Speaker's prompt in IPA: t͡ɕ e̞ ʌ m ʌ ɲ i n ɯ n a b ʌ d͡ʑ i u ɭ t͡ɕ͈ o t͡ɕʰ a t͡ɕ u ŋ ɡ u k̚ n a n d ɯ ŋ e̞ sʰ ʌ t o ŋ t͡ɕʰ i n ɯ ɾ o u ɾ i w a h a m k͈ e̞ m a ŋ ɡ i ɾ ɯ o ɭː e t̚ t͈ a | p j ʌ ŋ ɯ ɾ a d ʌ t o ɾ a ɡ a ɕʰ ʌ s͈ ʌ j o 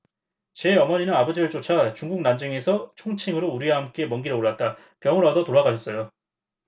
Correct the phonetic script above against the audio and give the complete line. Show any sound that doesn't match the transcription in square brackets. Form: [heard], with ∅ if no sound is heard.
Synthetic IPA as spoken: t͡ɕ e̞ ʌ m ʌ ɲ i n ɯ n a b ʌ d͡ʑ i [ɯ] ɭ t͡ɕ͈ o t͡ɕʰ a t͡ɕ u ŋ ɡ u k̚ n a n [d͡ʑ] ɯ ŋ e̞ sʰ ʌ [t͡ɕʰ] o ŋ t͡ɕʰ i [ŋ] ɯ ɾ o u ɾ i w a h a m k͈ e̞ m [ʌ] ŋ ɡ i ɾ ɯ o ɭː [a] t̚ t͈ a | p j ʌ ŋ ɯ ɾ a d ʌ t o ɾ a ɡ a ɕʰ ʌ s͈ ʌ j o